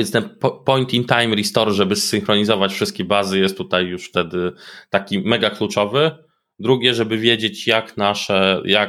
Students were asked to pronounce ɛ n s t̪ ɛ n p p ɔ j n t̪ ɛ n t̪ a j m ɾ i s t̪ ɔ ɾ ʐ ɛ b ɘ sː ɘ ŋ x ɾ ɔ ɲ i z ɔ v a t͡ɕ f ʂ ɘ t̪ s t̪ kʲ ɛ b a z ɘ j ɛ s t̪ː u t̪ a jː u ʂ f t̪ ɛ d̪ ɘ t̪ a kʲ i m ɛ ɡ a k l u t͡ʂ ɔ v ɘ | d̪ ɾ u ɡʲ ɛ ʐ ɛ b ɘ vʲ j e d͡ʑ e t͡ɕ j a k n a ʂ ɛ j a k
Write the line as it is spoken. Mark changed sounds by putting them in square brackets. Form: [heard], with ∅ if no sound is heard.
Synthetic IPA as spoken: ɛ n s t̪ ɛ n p p ɔ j n t̪ [i] n t̪ a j m ɾ i s t̪ ɔ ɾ ʐ ɛ b ɘ sː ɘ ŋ x ɾ ɔ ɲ i z ɔ v a t͡ɕ f ʂ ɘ [∅] s t̪ kʲ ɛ b a z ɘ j ɛ s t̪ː u t̪ a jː u ʂ f t̪ ɛ d̪ ɘ t̪ a kʲ i m ɛ ɡ a k l u t͡ʂ ɔ v ɘ | d̪ ɾ u ɡʲ ɛ ʐ ɛ b ɘ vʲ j e d͡ʑ e t͡ɕ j a k n a ʂ ɛ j a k